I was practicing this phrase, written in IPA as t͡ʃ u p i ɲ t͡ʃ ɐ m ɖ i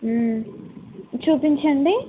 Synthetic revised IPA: t͡ʃ uː p i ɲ t͡ʃ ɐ ɳ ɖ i

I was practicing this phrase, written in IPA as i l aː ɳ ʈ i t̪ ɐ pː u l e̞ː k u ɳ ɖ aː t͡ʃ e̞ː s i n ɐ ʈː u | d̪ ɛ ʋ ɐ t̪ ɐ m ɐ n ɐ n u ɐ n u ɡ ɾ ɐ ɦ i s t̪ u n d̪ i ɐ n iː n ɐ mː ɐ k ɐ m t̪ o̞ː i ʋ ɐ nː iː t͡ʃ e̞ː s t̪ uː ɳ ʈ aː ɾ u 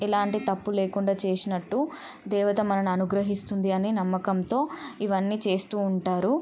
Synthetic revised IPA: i l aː ɳ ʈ i t̪ ɐ pː u l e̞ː k u ɳ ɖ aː t͡ʃ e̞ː s i n ɐ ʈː u | d̪ ɛː ʋ ɐ t̪ ɐ m ɐ n ɐ n u ɐ n u ɡ ɾ ɐ ɦ i s t̪ u n d̪ i ɐ n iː n ɐ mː ɐ k ɐ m t̪ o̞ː i ʋ ɐ nː iː t͡ʃ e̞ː s t̪ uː ɳ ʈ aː ɾ u

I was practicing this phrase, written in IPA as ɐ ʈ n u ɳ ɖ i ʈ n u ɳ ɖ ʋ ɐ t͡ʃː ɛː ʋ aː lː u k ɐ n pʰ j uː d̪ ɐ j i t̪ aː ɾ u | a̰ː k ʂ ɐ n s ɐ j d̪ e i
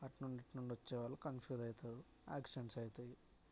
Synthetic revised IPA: ɐ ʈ n u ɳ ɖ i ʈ n u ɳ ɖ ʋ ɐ t͡ʃː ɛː ʋ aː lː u k ɐ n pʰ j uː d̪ ɐ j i t̪ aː ɾ u | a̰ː k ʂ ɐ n s ɐ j t̪ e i

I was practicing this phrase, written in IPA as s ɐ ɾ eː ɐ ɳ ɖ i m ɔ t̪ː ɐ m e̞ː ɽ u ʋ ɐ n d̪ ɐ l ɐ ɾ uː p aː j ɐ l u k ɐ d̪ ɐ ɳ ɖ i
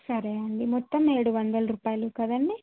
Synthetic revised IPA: s ɐ ɾ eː ɐ ɳ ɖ i m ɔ t̪ː ɐ m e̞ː ɽ u ʋ ɐ n d̪ ɐ l ɐ ɾ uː p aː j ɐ l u k ɐ d̪ ɐ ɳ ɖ i

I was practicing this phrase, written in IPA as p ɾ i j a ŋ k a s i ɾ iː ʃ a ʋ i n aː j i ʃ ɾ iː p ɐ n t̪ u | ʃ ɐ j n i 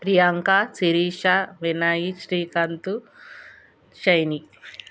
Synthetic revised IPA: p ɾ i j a ŋ k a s i ɾ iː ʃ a ʋ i n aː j i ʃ ɾ iː k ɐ n t̪ u | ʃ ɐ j n i

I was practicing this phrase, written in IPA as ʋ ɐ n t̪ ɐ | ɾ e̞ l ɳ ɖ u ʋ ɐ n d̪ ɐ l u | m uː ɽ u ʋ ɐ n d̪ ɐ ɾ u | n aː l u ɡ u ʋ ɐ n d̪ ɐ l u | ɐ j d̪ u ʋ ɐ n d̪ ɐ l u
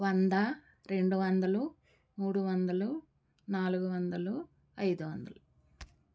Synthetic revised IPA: ʋ ɐ n d̪ ɐ | ɾ e̞ ɳ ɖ u ʋ ɐ n d̪ ɐ l u | m uː ɽ u ʋ ɐ n d̪ ɐ l u | n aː l u ɡ u ʋ ɐ n d̪ ɐ l u | ɐ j d̪ u ʋ ɐ n d̪ ɐ l u

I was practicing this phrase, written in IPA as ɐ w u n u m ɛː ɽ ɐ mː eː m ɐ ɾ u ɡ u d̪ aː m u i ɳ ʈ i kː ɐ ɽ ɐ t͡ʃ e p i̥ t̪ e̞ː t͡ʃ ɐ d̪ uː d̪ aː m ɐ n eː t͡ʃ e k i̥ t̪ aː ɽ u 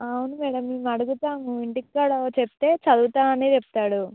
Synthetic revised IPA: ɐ w u n u m ɛː ɽ ɐ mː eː m ɐ ɽ u ɡ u t̪ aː m u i ɳ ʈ i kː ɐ ɽ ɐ t͡ʃ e p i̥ t̪ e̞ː t͡ʃ ɐ d̪ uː t̪ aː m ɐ n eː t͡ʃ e p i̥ t̪ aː ɽ u

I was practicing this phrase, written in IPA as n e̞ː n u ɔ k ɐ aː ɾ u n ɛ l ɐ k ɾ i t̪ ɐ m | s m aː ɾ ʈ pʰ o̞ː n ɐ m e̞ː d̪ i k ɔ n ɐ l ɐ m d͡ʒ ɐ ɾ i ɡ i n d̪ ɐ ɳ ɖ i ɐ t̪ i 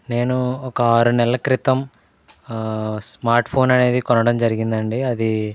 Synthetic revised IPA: n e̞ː n u ɔ k ɐ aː ɾ u n ɛ l ɐ k ɾ i t̪ ɐ m | s m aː ɾ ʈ pʰ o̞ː n ɐ n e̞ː d̪ i k ɔ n ɐ ɽ ɐ m d͡ʒ ɐ ɾ i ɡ i n d̪ ɐ ɳ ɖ i ɐ d̪ i

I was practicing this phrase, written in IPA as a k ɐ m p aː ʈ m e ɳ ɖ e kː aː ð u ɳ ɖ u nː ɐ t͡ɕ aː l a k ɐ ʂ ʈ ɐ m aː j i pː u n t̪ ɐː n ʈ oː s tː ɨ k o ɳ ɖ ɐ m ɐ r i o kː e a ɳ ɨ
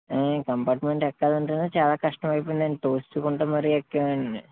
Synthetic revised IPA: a k ɐ m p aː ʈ m e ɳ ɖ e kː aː ð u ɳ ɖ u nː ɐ t͡ɕ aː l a k ɐ ʂ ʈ ɐ m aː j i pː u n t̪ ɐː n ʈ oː s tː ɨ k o ɳ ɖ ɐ m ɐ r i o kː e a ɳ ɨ

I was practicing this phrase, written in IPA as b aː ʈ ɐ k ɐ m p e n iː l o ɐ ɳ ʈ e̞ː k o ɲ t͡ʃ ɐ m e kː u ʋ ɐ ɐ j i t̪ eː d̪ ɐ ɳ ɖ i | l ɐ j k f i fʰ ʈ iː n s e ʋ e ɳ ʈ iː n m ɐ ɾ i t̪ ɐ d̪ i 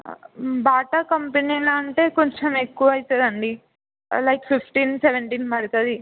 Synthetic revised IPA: b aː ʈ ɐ k ɐ m p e n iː l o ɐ ɳ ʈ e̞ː k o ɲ t͡ʃ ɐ m e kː u ʋ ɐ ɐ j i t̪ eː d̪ ɐ ɳ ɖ i | l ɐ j k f i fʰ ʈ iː n s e ʋ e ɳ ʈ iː n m ɐ ɾ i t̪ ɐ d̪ i

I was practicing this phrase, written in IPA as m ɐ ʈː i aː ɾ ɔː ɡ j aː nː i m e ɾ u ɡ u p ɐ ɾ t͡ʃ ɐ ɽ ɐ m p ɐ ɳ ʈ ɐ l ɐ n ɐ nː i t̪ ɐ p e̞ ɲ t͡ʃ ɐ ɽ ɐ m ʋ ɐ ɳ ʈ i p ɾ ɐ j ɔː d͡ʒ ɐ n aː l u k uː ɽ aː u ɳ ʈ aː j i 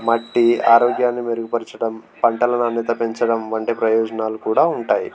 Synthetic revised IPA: m ɐ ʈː i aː ɾ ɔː ɡ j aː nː i m e ɾ u ɡ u p ɐ ɾ t͡ʃ ɐ ɽ ɐ m p ɐ ɳ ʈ ɐ l ɐ n ɐ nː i t̪ ɐ p e̞ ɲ t͡ʃ ɐ ɽ ɐ m ʋ ɐ ɳ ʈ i p ɾ ɐ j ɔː d͡ʒ ɐ n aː l u k uː ɽ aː u ɳ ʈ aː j i

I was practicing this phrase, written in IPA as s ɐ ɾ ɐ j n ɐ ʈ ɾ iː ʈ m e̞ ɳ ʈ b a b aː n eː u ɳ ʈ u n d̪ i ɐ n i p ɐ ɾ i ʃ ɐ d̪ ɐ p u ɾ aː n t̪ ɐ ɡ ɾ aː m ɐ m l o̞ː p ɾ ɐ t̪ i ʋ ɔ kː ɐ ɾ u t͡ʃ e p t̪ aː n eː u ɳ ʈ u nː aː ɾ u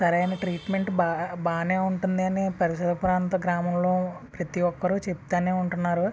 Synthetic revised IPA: s ɐ ɾ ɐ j n ɐ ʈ ɾ iː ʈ m e̞ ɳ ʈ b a b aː n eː u ɳ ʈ u n d̪ i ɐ n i p ɐ ɾ i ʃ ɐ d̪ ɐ p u ɾ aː n t̪ ɐ ɡ ɾ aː m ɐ m l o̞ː p ɾ ɐ t̪ i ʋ ɔ kː ɐ ɾ u t͡ʃ e p t̪ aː n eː u ɳ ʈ u nː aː ɾ u

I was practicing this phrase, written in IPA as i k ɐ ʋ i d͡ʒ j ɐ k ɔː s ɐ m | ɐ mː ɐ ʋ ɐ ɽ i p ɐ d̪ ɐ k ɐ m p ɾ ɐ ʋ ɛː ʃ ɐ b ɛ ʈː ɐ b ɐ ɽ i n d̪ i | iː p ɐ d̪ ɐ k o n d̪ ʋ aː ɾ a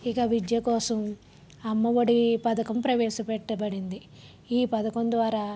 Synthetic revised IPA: i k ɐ ʋ i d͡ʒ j ɐ k ɔː s ɐ m | ɐ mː ɐ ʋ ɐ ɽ i p ɐ d̪ ɐ k ɐ m p ɾ ɐ ʋ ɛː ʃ ɐ p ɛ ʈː ɐ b ɐ ɽ i n d̪ i | iː p ɐ d̪ ɐ k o n d̪ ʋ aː ɾ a

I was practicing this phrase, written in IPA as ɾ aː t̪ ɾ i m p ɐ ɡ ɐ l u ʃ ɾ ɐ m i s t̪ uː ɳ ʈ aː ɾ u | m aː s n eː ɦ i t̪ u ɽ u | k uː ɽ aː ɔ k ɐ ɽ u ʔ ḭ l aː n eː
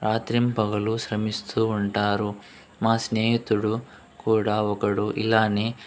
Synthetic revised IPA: ɾ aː t̪ ɾ i m p ɐ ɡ ɐ l u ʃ ɾ ɐ m i s t̪ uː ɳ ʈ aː ɾ u | m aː s n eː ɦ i t̪ u ɽ u | k uː ɽ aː ɔ k ɐ ɽ u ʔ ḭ l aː n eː

